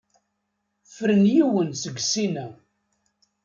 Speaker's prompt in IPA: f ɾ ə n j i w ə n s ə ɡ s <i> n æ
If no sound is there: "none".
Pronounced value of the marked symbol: i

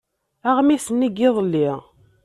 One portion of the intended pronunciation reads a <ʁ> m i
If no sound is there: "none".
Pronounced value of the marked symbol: ʁ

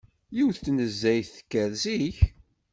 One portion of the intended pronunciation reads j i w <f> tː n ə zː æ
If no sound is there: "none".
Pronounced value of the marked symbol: θ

